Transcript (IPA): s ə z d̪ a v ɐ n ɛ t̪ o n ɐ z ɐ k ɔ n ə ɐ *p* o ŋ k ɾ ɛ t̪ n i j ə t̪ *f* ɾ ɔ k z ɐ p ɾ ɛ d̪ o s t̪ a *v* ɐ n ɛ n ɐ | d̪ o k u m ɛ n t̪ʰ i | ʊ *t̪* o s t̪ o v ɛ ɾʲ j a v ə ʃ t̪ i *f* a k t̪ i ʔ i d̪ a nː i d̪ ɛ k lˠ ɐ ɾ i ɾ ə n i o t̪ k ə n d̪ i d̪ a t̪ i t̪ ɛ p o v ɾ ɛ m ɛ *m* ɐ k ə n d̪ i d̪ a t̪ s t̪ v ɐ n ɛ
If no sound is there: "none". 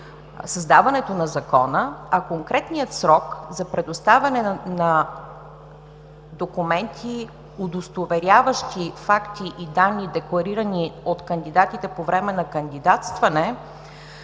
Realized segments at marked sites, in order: k, s, v, d̪, f, n

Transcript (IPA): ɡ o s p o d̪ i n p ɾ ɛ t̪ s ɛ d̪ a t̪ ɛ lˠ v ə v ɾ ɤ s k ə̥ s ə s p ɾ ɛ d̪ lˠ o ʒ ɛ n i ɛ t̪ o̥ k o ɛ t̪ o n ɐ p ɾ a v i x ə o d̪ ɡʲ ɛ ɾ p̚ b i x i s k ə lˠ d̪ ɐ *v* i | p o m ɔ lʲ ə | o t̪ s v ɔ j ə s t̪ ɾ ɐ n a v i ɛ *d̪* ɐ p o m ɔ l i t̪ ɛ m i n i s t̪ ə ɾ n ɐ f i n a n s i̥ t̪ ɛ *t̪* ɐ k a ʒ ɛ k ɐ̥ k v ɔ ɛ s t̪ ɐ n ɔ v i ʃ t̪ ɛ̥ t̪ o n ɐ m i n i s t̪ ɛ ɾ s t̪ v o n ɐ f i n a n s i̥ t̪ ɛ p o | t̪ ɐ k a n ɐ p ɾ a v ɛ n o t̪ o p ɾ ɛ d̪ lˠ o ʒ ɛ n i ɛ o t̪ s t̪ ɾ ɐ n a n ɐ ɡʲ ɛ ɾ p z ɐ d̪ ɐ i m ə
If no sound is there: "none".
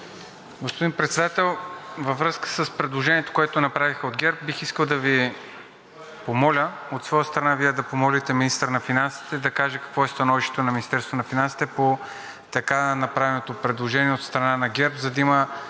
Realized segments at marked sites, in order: v, d̪, d̪

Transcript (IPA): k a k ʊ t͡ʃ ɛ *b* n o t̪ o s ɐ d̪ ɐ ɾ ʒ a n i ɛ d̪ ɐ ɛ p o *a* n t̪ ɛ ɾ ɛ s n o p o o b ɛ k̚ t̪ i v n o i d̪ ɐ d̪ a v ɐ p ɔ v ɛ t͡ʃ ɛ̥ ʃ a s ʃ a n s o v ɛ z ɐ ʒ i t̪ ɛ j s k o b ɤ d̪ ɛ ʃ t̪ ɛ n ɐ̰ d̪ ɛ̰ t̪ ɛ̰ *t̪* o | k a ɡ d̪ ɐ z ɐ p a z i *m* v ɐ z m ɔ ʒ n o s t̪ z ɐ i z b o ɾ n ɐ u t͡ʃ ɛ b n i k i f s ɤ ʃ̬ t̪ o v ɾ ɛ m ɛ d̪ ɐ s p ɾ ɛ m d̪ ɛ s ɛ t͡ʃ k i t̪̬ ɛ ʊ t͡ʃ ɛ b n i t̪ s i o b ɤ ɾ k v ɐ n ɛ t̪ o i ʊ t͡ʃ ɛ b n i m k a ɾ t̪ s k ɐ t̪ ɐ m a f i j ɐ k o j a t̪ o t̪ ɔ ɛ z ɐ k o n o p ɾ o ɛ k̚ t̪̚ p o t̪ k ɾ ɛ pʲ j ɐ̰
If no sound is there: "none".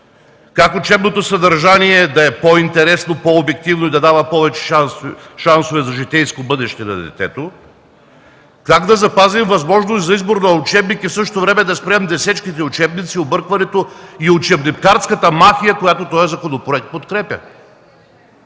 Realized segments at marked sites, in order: b, i, t̪, m

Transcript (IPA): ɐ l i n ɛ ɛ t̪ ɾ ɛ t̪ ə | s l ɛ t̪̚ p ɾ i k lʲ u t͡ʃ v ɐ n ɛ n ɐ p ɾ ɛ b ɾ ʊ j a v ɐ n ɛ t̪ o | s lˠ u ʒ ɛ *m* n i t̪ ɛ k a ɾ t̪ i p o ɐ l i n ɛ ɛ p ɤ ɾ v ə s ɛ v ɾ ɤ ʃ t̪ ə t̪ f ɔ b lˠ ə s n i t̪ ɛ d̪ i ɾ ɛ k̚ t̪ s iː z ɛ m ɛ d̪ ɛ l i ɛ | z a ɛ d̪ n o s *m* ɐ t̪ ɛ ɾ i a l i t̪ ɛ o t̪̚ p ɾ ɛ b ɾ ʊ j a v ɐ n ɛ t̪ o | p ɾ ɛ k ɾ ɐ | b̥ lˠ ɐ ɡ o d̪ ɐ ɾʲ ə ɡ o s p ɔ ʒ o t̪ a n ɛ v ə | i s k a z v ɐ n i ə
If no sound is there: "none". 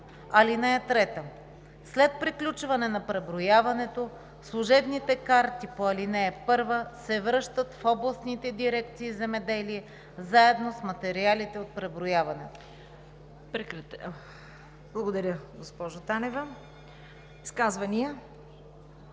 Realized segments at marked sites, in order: b, m

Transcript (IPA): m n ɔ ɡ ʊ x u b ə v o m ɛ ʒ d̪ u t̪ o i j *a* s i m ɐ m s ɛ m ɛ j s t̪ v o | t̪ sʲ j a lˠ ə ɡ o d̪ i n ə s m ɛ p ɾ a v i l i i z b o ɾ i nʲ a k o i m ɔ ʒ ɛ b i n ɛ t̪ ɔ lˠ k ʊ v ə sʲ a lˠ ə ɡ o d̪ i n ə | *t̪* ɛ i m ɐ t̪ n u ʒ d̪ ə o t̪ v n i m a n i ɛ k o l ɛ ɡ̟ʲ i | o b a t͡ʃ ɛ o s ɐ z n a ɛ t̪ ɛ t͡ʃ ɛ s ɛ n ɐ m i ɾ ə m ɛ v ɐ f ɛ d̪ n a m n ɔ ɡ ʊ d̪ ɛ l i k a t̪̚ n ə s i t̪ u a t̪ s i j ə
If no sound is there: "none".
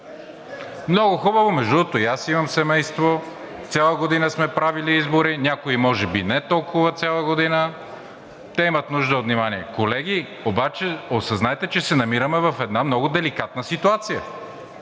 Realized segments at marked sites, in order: a, t̪

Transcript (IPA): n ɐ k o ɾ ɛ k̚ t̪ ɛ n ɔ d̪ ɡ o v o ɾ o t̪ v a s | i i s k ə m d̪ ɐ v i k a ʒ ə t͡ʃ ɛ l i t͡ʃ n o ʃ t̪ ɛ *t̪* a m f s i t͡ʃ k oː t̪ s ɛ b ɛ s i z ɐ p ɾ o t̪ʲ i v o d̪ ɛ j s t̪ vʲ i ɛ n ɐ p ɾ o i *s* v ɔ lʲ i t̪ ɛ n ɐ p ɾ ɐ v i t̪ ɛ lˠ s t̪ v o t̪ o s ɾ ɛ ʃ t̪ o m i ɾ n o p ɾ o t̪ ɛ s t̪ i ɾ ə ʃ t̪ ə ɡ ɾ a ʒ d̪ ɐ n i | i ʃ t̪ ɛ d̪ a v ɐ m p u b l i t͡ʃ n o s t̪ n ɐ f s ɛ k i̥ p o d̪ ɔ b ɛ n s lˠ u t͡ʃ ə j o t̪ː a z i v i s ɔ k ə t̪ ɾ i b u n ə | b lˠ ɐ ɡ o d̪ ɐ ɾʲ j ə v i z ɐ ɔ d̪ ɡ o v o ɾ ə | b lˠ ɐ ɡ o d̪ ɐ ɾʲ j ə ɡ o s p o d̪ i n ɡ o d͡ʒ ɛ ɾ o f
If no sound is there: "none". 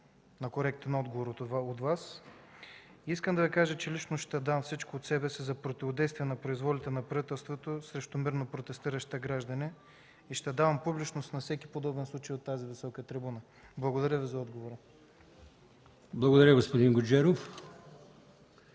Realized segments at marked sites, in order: d̪, z

